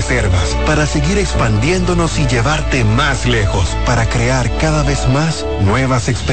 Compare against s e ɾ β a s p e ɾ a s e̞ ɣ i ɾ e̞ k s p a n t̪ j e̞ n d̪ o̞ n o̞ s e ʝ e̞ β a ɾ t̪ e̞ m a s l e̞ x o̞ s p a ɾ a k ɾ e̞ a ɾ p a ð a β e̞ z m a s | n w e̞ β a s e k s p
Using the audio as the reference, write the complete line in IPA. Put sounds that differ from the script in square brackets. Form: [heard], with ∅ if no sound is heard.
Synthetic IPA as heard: s e ɾ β a s p [a] ɾ a s e̞ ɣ i ɾ e̞ k s p a n [d̪] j e̞ n d̪ o̞ n o̞ s [i] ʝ e̞ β a ɾ t̪ e̞ m a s l e̞ x o̞ s p a ɾ a k ɾ e̞ a ɾ [k] a ð a β e̞ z m a s | n w e̞ β a s e k s p